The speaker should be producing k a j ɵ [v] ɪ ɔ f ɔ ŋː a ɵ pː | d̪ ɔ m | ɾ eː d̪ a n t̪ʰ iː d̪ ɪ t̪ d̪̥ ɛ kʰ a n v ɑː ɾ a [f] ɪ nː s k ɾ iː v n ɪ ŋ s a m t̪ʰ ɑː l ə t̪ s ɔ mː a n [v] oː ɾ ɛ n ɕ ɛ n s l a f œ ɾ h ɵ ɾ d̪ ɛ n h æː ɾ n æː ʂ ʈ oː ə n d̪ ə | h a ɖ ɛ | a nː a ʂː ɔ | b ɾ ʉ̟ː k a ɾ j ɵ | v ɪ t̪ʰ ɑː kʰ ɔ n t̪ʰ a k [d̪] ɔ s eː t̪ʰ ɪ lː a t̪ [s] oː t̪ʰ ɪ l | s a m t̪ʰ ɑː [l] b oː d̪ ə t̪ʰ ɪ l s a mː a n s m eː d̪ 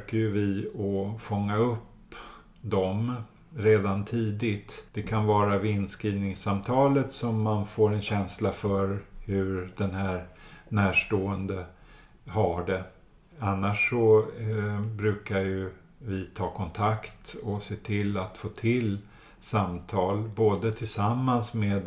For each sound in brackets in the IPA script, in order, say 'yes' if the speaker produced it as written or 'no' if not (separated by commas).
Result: yes, no, no, no, no, yes